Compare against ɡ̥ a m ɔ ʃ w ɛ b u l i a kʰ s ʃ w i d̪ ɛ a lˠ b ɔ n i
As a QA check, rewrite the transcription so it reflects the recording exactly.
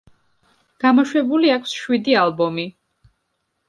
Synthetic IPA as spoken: ɡ̥ a m ɔ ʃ w ɛ b u l i a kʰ s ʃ w i d̪ i a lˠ b ɔ m i